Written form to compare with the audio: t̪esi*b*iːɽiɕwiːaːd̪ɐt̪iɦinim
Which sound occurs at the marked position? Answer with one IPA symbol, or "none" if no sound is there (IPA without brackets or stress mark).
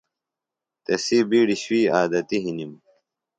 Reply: b